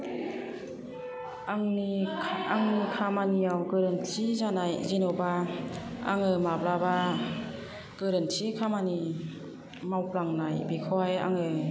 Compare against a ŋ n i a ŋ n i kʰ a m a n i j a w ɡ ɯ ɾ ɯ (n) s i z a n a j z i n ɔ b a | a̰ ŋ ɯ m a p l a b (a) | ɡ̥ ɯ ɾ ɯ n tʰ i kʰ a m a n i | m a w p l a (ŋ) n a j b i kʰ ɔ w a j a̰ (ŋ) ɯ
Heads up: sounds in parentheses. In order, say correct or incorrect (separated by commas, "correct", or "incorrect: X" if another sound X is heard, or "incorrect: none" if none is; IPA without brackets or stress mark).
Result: correct, correct, correct, correct